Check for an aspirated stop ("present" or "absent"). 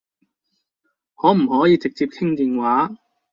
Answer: present